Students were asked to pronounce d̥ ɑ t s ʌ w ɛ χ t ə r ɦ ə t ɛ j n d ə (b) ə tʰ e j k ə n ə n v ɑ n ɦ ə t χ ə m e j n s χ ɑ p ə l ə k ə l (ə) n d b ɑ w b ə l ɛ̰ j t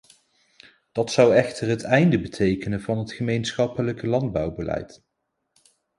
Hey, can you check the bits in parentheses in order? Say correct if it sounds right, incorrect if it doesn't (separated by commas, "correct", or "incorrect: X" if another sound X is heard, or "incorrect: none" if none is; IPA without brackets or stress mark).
correct, incorrect: ɑ